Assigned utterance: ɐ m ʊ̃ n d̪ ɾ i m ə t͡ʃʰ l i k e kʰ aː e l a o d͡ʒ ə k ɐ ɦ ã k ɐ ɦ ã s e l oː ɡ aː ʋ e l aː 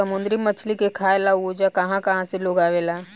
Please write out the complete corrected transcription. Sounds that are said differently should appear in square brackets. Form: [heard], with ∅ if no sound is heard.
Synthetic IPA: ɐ m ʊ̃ n d̪ ɾ i m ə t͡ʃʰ l i k e kʰ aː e l a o d͡ʒ [a] k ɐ ɦ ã k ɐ ɦ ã s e l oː ɡ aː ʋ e l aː